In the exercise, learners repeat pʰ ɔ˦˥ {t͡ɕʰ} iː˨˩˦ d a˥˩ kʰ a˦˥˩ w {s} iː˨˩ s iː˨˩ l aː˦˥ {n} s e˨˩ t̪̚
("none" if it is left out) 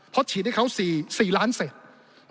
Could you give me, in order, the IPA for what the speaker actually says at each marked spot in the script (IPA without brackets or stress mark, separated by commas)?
t͡ɕʰ, s, n